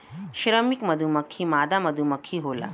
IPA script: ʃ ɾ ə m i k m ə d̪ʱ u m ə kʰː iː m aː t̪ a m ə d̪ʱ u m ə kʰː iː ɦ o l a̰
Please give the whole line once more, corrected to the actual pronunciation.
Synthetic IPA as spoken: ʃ ɾ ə m i k m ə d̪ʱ u m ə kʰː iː m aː d̪ a m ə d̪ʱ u m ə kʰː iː ɦ o l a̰

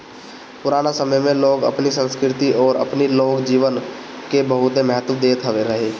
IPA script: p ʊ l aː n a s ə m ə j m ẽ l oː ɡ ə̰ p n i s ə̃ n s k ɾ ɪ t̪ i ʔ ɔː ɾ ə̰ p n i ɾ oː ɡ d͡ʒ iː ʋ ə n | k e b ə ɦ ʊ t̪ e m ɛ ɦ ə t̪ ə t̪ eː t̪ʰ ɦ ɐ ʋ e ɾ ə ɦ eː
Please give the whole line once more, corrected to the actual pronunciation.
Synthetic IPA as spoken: p ʊ ɾ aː n a s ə m ə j m ẽ l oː ɡ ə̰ p n i s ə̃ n s k ɾ ɪ t̪ i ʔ ɔː ɾ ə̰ p n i l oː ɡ d͡ʒ iː ʋ ə n | k e b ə ɦ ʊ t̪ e m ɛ ɦ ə t̪ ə d̪ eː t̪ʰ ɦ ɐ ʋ e ɾ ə ɦ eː

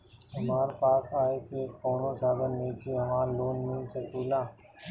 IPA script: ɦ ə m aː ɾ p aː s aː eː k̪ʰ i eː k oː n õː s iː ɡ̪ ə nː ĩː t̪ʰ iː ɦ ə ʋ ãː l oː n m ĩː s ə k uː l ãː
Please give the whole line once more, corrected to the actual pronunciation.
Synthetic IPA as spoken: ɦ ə m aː ɾ p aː s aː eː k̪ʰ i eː k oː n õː s aː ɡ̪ ə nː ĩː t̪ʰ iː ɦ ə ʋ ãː l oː n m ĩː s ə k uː l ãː

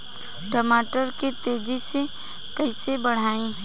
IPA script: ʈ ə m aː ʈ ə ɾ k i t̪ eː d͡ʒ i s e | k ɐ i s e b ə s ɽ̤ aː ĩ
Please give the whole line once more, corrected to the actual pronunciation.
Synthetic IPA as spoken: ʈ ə m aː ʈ ə ɾ k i t̪ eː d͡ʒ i s e | k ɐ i s e b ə ɽ̤ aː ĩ

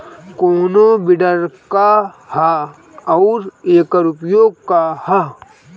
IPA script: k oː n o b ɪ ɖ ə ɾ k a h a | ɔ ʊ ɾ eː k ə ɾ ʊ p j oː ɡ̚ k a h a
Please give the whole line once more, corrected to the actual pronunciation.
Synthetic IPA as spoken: k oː n o b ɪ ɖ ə ɾ k a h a | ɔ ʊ ɾ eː k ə ɾ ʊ p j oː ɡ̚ k a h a

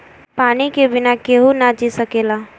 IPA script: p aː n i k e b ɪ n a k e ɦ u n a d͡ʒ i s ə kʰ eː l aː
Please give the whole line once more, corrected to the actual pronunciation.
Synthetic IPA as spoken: p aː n i k e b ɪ n a k e ɦ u n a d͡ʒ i s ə k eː l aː

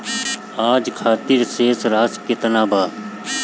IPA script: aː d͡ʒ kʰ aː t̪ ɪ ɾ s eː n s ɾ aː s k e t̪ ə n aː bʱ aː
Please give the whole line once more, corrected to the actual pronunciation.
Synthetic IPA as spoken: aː d͡ʒ kʰ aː t̪ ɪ ɾ s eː s ɾ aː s k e t̪ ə n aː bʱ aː

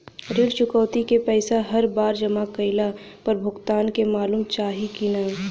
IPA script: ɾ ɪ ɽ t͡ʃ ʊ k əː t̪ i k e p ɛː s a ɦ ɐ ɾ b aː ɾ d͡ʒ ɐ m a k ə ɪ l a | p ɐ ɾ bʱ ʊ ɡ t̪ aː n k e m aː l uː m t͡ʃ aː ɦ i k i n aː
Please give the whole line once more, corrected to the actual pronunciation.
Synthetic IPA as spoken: ɾ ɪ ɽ t͡ʃ ʊ k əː t̪ i k e p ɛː s a ɦ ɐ ɾ b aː ɾ d͡ʒ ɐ m a k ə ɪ l a | p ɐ ɾ bʱ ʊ ɡ t̪ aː n k e m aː l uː m t͡ʃ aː ɦ i k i n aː

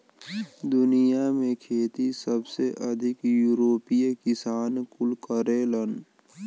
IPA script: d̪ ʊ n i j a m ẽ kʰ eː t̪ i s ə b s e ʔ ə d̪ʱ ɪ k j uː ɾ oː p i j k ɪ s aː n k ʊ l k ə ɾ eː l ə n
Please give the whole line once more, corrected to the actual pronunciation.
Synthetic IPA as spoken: d̪ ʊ n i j a m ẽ kʰ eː t̪ i s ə b s e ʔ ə d̪ʱ ɪ k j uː ɾ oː p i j k ɪ s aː n k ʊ l k ə ɾ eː l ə n

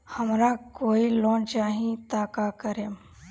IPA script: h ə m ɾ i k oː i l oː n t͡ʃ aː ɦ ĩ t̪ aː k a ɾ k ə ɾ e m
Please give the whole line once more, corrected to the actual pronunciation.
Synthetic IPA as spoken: h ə m ɾ a k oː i l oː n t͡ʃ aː ɦ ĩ t̪ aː k a k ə ɾ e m

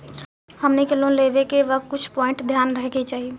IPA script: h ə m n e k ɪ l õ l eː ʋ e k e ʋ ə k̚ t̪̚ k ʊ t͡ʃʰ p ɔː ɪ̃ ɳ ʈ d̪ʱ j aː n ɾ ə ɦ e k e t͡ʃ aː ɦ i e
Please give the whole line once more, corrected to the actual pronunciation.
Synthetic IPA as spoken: h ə m n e k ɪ l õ l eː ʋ e k e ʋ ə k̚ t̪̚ k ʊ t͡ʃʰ p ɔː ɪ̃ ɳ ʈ d̪ʱ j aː n ɾ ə ɦ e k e t͡ʃ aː ɦ i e

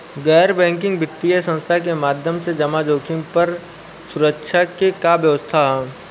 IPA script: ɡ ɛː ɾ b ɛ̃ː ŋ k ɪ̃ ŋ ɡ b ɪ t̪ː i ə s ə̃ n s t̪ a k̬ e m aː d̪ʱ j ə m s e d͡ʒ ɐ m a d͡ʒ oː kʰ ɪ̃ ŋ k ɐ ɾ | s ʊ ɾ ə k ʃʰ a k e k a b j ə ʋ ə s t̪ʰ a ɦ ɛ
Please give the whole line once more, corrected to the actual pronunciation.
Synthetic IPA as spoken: ɡ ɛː ɾ b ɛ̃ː ŋ k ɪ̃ ŋ ɡ b ɪ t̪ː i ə s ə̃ n s t̪ʰ a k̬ e m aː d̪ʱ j ə m s e d͡ʒ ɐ m a d͡ʒ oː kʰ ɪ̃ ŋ p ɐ ɾ | s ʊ ɾ ə k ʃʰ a k e k a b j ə ʋ ə s t̪ʰ a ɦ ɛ

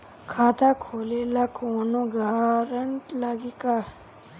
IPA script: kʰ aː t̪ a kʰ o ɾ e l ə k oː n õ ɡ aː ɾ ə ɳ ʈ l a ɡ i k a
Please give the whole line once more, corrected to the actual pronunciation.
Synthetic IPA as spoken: kʰ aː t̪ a kʰ o l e l a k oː n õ ɡ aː ɾ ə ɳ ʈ l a ɡ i k a

